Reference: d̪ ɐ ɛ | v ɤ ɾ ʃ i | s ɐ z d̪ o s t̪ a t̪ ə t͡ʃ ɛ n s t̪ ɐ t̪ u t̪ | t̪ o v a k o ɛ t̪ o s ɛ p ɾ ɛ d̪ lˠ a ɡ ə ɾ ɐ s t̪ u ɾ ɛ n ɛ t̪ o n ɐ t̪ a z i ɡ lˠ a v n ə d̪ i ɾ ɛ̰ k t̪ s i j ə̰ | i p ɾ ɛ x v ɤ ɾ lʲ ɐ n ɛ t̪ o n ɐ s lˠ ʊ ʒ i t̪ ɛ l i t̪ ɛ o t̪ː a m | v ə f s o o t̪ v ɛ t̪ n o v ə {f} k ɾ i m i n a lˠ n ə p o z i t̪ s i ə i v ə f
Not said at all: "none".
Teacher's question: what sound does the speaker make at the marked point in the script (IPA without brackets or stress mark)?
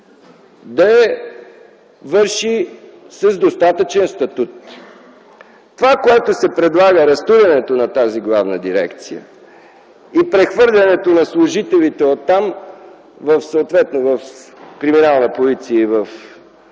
f